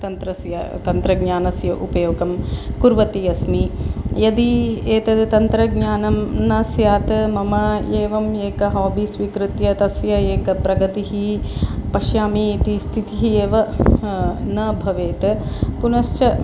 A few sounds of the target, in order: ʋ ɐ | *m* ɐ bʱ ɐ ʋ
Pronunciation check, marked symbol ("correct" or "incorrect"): incorrect